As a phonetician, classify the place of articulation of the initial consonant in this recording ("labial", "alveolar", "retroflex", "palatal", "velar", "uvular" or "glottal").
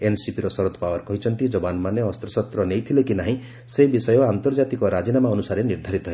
alveolar